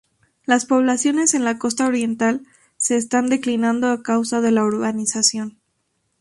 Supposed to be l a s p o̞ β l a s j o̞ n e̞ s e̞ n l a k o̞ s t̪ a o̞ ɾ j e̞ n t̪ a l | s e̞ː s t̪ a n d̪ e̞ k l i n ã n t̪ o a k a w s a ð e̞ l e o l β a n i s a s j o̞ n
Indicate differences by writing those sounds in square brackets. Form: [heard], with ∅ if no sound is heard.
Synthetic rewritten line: l a s p o̞ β l a s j o̞ n e̞ s e̞ n l a k o̞ s t̪ a o̞ ɾ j e̞ n t̪ a l | s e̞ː s t̪ a n d̪ e̞ k l i n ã n [d̪] o a k a w s a ð e̞ l [a] o [ɾ] β a n i s a s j o̞ n